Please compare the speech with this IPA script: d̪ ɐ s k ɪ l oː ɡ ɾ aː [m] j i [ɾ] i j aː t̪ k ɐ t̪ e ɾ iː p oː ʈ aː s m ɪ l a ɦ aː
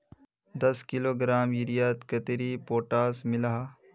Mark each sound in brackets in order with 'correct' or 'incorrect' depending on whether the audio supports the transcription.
correct, correct

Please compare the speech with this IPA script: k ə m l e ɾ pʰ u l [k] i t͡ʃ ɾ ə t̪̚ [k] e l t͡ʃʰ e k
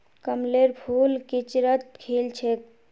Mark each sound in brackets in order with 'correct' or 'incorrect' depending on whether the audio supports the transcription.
correct, incorrect: kʰ

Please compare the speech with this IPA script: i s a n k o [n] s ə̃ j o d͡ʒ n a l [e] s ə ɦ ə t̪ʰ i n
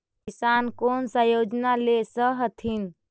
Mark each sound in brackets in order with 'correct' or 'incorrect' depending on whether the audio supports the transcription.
correct, correct

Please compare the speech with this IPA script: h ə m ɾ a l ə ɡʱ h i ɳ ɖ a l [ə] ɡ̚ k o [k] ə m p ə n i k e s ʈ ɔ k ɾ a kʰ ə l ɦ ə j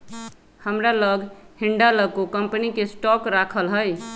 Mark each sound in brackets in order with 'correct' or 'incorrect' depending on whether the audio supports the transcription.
correct, correct

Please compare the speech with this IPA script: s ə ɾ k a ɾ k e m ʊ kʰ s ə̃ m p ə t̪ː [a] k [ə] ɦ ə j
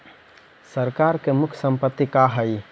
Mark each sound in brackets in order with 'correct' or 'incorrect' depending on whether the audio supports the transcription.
incorrect: i, incorrect: a

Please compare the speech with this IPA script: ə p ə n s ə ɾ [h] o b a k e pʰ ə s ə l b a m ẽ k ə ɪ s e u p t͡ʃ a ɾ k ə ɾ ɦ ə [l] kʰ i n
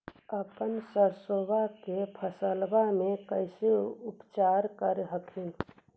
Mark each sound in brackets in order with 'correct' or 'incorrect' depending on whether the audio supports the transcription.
incorrect: s, incorrect: none

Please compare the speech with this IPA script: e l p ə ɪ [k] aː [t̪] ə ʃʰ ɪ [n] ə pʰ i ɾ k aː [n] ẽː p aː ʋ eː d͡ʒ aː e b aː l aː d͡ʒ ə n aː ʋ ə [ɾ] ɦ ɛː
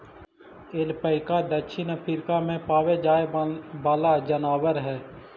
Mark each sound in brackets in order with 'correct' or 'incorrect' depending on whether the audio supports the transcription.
correct, incorrect: d̪, correct, incorrect: m, correct

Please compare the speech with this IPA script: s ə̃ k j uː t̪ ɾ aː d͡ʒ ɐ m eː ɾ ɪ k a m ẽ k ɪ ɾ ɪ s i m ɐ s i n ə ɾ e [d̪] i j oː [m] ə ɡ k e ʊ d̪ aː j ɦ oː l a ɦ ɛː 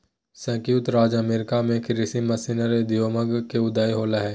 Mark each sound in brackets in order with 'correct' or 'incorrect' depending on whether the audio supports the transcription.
correct, correct

